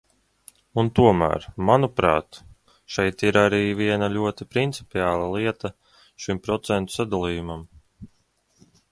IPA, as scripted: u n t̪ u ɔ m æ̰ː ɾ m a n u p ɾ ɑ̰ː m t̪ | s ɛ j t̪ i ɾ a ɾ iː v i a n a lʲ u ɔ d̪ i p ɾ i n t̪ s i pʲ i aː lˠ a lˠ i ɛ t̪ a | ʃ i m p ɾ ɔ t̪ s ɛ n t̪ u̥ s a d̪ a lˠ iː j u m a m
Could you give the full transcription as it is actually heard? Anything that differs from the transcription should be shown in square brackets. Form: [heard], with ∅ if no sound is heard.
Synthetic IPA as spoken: u n t̪ u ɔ m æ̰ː ɾ m a n u p ɾ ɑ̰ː [∅] t̪ | [ʃ] ɛ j t̪ i ɾ a ɾ iː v i [ɛ] n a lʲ u ɔ [t̪] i p ɾ i n t̪ s i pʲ i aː lˠ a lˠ i ɛ t̪ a | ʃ i m p ɾ ɔ t̪ s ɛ n t̪ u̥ s a d̪ a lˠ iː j u m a m